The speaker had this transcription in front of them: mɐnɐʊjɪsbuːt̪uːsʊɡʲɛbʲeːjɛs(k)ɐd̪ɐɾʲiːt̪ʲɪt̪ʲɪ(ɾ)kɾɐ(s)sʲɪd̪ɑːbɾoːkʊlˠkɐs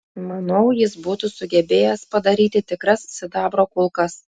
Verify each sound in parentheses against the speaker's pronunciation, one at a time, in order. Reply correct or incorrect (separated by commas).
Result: incorrect, incorrect, correct